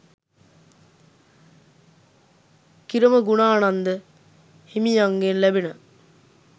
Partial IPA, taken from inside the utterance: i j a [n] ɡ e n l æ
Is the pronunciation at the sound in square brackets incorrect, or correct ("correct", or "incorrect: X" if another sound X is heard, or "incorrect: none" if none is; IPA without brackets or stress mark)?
incorrect: ŋ